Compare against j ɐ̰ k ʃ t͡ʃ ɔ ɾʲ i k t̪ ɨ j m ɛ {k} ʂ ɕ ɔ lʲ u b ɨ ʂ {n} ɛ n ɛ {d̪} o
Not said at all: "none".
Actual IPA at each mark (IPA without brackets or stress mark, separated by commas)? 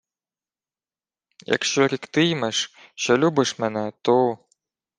none, m, t̪